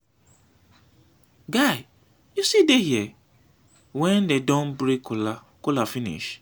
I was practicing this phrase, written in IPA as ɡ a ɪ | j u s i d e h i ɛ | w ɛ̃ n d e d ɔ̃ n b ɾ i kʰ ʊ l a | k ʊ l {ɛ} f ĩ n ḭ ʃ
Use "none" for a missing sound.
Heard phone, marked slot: a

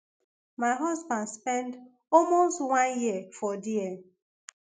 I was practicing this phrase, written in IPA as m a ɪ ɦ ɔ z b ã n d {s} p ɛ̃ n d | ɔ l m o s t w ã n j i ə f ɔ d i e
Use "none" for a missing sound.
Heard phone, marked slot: s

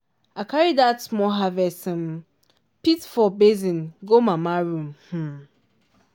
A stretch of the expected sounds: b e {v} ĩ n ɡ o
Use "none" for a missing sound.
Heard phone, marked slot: z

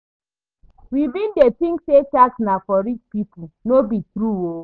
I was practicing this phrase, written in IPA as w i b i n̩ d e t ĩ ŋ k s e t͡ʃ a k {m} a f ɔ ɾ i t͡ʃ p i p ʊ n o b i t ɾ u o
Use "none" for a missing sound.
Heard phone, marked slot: n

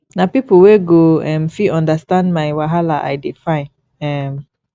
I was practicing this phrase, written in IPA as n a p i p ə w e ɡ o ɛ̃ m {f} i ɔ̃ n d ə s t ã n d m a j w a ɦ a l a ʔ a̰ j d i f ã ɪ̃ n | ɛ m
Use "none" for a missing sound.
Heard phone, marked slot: f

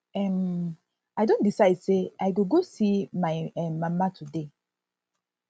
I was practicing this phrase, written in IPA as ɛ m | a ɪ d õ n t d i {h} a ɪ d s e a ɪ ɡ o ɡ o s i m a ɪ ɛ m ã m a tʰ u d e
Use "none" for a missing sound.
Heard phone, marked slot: s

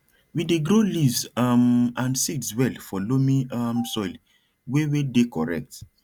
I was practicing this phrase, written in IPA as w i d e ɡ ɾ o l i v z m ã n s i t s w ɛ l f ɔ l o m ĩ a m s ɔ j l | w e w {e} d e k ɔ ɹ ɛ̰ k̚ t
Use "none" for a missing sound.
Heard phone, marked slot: e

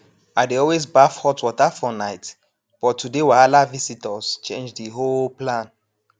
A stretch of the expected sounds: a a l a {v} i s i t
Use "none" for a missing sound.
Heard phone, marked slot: v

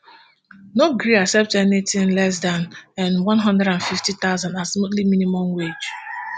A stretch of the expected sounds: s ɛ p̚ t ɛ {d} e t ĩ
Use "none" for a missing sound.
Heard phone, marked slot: n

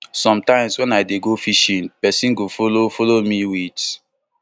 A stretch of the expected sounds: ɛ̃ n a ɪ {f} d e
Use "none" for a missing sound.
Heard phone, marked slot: none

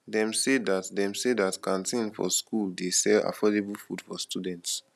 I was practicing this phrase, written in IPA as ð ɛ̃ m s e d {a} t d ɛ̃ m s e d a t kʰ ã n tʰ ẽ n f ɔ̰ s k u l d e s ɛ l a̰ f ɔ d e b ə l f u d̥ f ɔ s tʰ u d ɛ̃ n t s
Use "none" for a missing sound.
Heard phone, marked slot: a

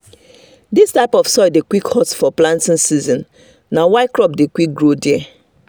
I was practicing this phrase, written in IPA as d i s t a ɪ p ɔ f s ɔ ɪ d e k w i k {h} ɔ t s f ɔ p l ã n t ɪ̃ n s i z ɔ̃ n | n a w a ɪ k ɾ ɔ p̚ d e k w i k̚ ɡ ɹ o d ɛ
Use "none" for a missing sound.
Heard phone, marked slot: h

